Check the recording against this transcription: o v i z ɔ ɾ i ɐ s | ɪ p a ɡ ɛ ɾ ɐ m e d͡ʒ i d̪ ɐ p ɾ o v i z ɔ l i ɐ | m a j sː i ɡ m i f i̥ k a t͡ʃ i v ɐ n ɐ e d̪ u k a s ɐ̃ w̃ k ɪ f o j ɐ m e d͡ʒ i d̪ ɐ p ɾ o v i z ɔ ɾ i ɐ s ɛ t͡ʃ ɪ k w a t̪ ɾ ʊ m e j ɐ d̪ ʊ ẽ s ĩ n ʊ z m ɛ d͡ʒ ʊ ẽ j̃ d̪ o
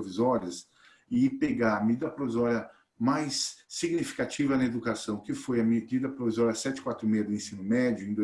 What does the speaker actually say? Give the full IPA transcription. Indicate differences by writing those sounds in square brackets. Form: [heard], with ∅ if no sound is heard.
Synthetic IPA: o v i z ɔ ɾ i ɐ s | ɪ p [e] ɡ [a] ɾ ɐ m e d͡ʒ i d̪ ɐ p ɾ o v i z ɔ [ɾ] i ɐ | m a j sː i ɡ [n] i f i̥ k a t͡ʃ i v ɐ n ɐ e d̪ u k a s ɐ̃ w̃ k ɪ f o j ɐ m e d͡ʒ i d̪ ɐ p ɾ o v i z ɔ ɾ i ɐ s ɛ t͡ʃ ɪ k w a t̪ ɾ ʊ m e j ɐ d̪ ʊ ẽ s ĩ n ʊ [∅] m ɛ d͡ʒ ʊ ẽ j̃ d̪ o